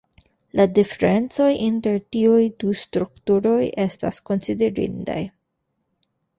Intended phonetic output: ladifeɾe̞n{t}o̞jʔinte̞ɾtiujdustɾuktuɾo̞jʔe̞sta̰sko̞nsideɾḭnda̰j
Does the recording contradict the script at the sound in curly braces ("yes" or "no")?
yes